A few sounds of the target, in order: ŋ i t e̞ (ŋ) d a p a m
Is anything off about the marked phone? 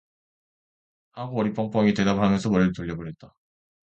yes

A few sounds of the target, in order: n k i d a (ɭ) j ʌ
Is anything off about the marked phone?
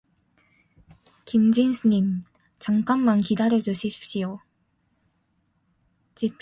yes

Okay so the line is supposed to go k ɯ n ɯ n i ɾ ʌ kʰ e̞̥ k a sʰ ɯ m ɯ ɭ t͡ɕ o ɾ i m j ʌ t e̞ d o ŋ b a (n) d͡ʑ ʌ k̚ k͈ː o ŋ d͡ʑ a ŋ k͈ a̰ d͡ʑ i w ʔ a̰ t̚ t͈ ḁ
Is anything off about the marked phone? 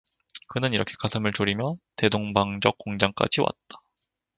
yes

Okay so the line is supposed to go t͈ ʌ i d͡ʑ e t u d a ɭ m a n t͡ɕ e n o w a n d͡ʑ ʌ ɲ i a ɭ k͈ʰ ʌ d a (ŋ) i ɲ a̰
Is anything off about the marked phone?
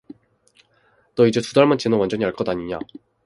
yes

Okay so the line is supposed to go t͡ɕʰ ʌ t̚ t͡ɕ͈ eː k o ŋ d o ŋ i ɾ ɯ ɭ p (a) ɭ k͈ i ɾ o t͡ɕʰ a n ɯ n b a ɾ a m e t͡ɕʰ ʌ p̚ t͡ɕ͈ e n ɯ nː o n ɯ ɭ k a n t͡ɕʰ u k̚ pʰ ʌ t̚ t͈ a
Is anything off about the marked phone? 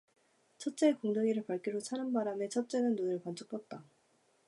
no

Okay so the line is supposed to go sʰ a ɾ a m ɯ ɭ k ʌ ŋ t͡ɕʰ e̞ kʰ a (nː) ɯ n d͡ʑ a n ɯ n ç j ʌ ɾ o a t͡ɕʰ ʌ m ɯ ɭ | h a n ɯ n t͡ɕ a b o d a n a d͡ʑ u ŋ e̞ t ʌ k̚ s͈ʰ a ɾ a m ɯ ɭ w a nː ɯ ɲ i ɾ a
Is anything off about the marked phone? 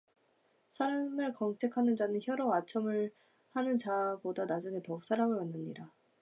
yes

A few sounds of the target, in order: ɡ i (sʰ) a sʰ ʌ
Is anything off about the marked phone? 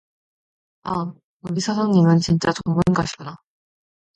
no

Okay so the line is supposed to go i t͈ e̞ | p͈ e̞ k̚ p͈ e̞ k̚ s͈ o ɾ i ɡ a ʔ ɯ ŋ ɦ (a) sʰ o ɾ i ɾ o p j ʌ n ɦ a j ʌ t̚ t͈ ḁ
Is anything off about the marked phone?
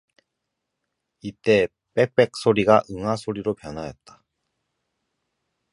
no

